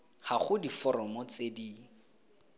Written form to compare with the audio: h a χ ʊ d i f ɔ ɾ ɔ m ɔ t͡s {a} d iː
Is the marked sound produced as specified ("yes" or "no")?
no